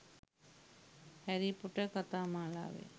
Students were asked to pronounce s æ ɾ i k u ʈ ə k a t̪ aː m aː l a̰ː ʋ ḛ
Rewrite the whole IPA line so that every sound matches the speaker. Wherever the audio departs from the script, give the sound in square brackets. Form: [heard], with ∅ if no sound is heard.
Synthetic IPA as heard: [h] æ ɾ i [p] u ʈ ə k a t̪ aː m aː l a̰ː ʋ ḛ